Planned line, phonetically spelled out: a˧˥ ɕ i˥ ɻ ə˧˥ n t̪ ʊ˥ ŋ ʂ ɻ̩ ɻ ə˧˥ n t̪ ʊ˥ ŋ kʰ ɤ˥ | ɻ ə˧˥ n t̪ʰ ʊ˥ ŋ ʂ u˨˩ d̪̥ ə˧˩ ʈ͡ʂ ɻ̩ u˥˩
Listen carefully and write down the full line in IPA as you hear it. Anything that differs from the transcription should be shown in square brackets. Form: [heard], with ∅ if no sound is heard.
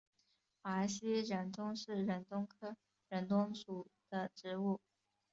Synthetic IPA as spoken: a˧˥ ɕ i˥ ɻ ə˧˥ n t̪ ʊ˥ ŋ ʂ ɻ̩ ɻ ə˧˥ n t̪ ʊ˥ ŋ kʰ ɤ˥ | ɻ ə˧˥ n [t̪] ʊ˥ ŋ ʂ u˨˩ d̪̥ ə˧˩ ʈ͡ʂ ɻ̩ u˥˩